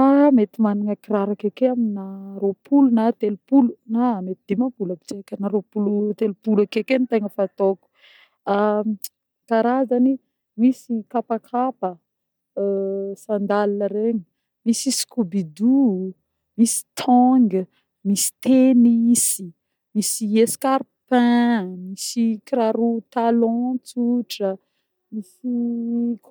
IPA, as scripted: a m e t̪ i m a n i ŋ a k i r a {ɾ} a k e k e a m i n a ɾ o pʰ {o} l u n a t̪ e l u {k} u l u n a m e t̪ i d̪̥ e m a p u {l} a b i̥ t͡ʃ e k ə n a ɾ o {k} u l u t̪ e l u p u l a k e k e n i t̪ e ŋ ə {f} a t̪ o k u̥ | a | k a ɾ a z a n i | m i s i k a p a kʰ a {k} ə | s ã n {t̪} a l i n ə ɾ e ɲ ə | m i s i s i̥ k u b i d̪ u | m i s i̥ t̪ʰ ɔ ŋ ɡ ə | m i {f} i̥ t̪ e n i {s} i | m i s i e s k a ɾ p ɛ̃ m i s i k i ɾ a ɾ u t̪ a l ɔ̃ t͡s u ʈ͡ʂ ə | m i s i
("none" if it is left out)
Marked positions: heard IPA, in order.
ɾ, u, p, l, p, f, p, d̪, s, s

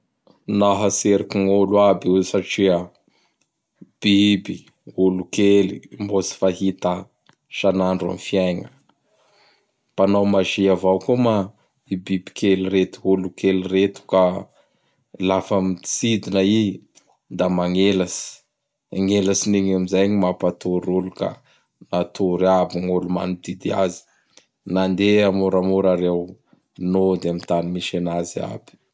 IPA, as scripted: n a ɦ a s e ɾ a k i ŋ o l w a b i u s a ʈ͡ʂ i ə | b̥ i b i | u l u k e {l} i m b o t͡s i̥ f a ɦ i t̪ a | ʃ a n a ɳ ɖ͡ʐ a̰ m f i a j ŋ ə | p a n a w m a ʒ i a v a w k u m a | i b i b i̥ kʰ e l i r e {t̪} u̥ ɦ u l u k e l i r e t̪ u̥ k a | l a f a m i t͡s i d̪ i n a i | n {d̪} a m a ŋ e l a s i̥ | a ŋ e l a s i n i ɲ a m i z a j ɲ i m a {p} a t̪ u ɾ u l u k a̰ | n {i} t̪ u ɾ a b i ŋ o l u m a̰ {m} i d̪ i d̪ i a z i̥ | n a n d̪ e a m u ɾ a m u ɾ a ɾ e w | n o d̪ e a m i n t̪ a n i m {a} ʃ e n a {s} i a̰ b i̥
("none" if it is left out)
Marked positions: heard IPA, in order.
l, t̪, d̪, p, a, n, i, z

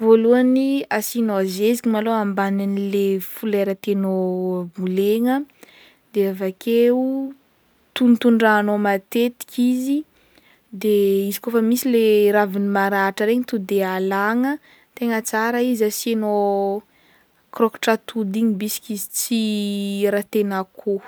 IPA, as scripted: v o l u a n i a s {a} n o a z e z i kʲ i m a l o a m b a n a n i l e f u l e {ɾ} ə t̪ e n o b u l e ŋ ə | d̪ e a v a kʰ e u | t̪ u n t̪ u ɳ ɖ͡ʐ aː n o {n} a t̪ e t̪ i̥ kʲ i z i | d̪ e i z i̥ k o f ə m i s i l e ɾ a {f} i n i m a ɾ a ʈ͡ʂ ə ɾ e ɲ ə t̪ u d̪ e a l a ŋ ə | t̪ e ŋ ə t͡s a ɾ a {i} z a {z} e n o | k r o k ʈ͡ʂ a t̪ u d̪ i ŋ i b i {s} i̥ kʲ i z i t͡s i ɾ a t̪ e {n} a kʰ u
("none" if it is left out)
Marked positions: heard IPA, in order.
i, ɾ, m, v, i, s, s, n

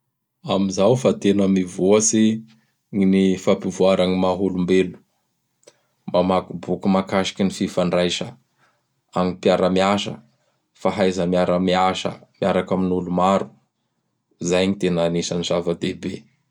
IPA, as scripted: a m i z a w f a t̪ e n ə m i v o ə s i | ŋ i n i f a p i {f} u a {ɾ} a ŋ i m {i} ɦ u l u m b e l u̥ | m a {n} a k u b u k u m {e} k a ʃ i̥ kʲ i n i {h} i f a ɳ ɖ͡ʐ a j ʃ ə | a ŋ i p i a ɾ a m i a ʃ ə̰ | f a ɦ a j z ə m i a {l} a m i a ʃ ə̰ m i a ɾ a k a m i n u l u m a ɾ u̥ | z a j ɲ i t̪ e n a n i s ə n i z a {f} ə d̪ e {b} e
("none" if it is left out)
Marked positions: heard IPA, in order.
v, ɾ, a, m, a, f, ɾ, v, b

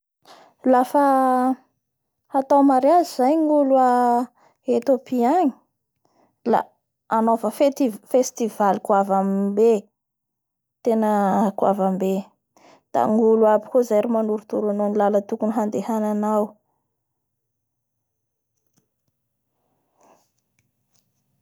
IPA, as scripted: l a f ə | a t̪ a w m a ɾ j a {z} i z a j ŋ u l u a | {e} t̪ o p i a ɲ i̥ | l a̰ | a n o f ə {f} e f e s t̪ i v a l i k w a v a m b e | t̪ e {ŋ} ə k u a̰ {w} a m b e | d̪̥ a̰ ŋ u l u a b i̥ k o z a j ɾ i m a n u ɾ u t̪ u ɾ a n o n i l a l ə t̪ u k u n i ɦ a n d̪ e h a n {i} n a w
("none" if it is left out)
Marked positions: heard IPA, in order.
z, e, f, n, v, a

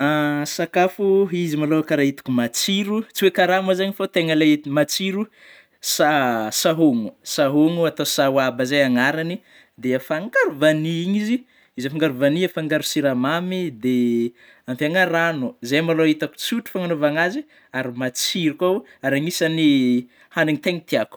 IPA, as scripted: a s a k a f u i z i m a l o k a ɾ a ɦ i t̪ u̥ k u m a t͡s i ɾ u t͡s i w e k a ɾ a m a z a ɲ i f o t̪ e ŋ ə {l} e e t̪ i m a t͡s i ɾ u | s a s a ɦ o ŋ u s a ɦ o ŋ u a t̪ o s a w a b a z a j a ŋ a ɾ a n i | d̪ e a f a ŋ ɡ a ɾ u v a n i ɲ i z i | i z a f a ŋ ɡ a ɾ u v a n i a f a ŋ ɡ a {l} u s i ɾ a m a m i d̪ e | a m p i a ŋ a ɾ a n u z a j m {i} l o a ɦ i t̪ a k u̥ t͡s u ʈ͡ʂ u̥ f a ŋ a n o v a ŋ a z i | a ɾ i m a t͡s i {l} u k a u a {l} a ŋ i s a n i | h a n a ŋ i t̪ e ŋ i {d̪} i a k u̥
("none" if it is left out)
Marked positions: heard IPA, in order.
l, ɾ, a, ɾ, ɾ, t̪

